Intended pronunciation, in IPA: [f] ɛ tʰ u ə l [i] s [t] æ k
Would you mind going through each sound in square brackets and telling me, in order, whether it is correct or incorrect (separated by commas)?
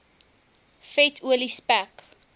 correct, correct, incorrect